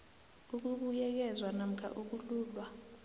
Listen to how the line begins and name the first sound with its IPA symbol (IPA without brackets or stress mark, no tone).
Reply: u